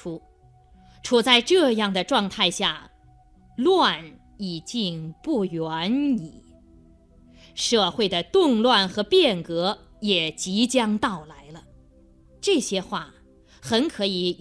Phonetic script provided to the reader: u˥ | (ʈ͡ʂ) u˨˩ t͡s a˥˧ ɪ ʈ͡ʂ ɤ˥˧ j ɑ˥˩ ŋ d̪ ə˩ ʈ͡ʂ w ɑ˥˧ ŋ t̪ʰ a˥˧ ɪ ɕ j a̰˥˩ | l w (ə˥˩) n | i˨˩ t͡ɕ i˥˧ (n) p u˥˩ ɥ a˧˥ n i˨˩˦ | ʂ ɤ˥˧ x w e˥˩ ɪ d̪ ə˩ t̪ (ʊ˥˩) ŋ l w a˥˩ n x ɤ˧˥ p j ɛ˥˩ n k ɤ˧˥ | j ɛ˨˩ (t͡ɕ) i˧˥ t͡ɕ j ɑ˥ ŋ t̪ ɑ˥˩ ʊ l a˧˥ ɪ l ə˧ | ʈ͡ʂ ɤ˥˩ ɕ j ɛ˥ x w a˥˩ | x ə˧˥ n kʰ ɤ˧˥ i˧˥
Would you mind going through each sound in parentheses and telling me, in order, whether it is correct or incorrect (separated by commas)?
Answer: incorrect, incorrect, incorrect, incorrect, correct